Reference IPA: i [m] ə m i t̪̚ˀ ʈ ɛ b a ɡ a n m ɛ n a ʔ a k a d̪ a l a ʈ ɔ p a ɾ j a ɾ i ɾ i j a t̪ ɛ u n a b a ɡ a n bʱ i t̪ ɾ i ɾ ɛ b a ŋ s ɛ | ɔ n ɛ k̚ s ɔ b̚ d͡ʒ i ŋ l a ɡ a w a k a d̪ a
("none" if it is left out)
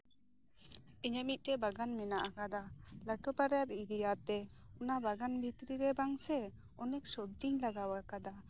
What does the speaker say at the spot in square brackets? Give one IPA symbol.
ɲ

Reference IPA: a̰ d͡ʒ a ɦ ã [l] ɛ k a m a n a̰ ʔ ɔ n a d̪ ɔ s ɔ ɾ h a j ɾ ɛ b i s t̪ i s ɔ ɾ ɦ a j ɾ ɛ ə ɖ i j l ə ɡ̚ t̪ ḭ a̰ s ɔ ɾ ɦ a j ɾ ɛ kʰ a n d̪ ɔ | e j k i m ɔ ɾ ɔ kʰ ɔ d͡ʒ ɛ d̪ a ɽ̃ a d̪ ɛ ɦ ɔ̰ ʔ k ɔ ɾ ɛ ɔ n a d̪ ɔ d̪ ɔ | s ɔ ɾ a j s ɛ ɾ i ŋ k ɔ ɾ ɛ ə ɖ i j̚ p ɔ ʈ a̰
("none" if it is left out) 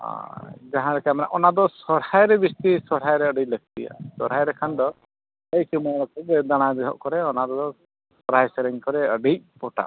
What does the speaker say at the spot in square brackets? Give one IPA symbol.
ɾ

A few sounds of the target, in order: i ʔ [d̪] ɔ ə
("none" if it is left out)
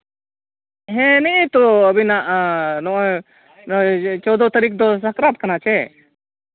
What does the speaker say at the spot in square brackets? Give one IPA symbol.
t̪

